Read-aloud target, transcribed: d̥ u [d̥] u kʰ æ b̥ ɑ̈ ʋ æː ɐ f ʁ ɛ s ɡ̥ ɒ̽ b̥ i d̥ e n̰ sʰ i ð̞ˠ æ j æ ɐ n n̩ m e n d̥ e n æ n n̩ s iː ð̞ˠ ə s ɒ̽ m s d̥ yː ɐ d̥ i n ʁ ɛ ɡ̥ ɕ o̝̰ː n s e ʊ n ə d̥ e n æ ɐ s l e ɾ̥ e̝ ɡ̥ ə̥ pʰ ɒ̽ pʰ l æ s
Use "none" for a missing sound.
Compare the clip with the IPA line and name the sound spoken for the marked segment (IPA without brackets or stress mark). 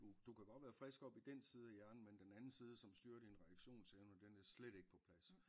d̥